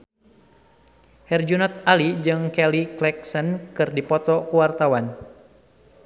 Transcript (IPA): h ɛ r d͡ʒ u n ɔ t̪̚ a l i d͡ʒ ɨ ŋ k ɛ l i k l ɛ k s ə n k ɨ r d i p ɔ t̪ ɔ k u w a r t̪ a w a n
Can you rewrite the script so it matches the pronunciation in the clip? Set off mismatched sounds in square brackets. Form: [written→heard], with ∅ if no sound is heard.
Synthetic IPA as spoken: h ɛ r d͡ʒ u n ɔ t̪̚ a l i d͡ʒ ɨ ŋ k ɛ l i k l ɛ k s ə n k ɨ r d i p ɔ t̪ ɔ k u w a r t̪ a w a n